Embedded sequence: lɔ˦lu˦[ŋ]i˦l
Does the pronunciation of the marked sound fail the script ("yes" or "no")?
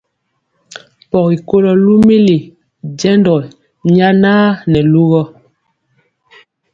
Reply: yes